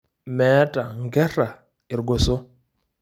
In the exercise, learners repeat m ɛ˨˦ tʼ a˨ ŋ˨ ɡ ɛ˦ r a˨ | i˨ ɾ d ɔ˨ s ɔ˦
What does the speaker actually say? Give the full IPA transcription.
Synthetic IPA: m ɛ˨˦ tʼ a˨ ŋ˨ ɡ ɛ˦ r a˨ | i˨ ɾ ɡ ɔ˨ s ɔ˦